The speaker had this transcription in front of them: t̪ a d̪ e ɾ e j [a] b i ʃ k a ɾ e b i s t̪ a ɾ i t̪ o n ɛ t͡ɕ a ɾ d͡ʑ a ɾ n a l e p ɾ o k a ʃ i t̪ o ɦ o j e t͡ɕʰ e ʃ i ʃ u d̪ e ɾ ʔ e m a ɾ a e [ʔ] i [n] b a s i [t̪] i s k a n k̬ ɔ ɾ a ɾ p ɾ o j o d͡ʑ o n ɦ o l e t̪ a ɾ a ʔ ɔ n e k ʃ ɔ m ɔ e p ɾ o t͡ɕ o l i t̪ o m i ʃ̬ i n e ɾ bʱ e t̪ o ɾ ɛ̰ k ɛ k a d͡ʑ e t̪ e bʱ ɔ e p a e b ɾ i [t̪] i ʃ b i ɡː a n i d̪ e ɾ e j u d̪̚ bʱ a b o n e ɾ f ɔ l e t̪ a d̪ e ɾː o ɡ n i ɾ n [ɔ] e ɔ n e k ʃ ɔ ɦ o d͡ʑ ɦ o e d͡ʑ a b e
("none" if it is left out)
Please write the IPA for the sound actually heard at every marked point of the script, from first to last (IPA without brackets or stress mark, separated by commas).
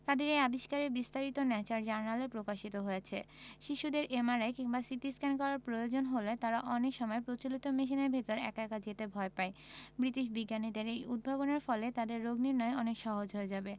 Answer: a, k, ŋ, t̪, t̪, ɔ